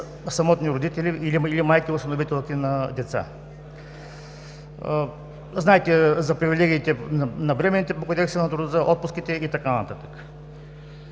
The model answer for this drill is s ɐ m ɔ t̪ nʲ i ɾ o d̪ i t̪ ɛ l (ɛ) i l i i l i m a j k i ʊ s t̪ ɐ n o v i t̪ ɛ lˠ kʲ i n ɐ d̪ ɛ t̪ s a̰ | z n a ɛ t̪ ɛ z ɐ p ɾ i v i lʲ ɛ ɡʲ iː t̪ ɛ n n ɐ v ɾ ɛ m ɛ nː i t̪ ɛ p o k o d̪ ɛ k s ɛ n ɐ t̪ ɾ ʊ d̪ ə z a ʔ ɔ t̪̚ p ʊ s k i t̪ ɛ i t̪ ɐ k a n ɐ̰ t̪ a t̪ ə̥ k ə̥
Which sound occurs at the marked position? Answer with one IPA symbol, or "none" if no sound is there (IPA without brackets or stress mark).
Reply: i